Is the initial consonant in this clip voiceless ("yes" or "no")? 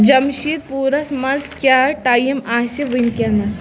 no